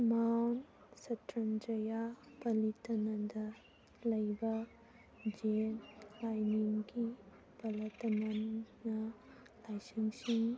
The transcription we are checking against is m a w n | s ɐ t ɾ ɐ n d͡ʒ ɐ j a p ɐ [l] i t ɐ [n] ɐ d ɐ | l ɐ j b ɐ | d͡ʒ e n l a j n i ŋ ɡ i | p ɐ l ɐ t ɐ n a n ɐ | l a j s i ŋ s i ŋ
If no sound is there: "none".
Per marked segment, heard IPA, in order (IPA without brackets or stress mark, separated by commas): l, n